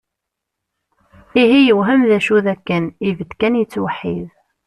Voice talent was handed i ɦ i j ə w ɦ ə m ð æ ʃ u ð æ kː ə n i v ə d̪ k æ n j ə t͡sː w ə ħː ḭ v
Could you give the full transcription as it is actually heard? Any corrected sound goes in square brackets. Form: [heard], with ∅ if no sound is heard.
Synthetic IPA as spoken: i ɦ i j ə w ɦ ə m ð æ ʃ u ð æ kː ə n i v ə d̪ k æ n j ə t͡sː w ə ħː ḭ [ð]